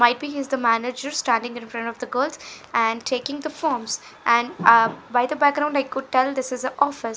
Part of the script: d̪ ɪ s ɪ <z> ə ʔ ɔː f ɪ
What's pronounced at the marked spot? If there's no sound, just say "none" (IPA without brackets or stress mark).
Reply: z